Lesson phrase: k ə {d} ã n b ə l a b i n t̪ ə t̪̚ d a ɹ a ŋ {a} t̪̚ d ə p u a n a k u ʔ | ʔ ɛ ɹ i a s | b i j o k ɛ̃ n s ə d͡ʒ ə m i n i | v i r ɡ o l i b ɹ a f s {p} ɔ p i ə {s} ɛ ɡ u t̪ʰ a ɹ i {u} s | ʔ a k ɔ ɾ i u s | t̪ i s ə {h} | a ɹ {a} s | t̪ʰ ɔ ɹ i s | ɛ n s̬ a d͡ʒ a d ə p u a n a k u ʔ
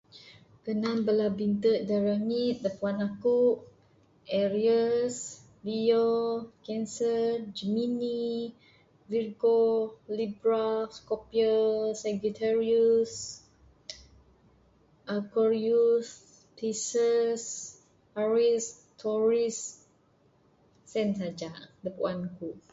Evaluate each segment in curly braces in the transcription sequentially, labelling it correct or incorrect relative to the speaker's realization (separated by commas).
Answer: incorrect, incorrect, incorrect, correct, correct, incorrect, incorrect